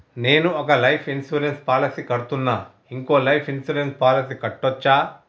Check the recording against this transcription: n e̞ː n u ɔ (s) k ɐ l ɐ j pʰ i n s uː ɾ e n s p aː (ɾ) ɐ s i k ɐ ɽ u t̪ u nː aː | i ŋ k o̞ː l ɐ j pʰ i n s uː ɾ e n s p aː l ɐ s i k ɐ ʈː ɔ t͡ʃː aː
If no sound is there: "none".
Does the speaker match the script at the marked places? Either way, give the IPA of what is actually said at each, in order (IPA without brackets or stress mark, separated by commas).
none, l